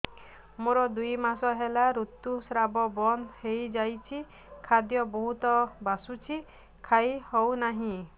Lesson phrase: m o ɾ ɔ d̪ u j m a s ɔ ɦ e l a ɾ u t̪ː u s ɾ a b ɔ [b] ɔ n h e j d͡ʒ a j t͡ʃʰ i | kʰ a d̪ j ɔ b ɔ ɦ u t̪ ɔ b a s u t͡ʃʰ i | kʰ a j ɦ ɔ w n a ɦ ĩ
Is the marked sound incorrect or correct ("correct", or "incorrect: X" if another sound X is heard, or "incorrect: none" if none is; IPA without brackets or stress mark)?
correct